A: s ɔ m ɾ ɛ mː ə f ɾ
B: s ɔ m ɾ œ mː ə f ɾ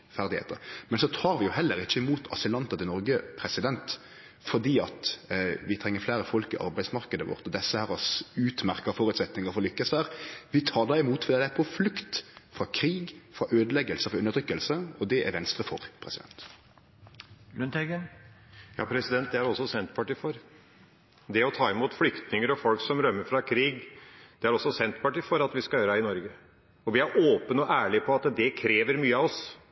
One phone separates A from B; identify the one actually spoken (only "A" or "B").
B